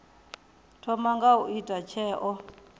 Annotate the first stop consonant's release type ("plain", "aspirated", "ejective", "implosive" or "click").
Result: aspirated